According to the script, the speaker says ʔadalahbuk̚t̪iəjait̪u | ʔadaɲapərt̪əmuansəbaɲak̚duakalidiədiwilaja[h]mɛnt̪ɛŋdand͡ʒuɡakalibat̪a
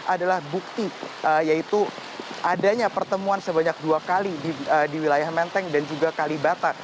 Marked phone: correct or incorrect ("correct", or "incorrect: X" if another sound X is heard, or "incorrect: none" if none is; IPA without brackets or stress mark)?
correct